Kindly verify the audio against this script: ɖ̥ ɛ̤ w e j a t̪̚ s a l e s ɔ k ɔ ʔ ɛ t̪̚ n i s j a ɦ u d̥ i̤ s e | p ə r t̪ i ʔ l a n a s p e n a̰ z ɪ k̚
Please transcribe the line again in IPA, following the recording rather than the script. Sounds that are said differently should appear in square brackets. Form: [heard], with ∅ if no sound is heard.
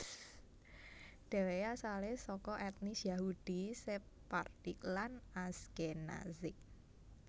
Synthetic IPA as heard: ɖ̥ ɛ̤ w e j a [∅] s a l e s ɔ k ɔ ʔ ɛ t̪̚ n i s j a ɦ u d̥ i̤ s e | p [a] r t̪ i [k] l a n a s [k] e n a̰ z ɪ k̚